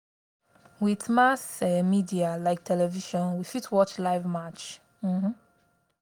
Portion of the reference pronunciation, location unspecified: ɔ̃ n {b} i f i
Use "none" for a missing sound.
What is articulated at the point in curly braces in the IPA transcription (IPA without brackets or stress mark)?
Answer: w